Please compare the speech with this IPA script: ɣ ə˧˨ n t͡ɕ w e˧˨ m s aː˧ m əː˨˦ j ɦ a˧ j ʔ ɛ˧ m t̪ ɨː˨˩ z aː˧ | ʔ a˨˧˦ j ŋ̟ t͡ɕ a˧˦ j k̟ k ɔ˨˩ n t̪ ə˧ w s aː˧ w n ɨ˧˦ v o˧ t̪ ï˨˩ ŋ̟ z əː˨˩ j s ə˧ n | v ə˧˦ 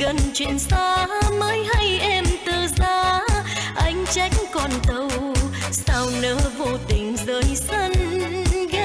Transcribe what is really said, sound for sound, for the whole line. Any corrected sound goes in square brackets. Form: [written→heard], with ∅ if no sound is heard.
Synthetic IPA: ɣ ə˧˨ n t͡ɕ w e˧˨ [m→n] s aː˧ m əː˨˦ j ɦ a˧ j ʔ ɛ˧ m t̪ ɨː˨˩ z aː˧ | ʔ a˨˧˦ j ŋ̟ t͡ɕ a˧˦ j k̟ k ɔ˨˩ n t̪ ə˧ w s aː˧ w n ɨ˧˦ v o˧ t̪ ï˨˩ ŋ̟ z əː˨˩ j s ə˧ n | [v→ɣ] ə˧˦